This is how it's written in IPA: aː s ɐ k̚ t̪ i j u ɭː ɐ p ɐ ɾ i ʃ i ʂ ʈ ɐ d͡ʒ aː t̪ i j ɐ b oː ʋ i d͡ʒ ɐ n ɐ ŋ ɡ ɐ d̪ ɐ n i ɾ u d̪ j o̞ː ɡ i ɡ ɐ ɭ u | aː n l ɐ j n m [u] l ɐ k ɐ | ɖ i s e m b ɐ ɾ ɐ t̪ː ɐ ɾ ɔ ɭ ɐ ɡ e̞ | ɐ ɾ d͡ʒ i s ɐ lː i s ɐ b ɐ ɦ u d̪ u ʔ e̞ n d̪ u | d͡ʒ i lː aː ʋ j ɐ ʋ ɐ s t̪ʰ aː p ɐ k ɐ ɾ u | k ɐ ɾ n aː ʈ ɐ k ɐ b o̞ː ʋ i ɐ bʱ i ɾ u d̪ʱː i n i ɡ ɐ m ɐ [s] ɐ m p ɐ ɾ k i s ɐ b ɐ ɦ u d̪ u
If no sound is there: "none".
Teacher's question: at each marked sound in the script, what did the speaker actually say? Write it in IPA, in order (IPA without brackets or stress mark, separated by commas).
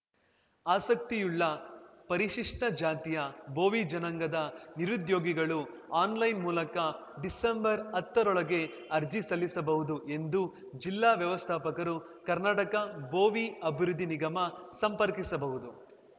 uː, s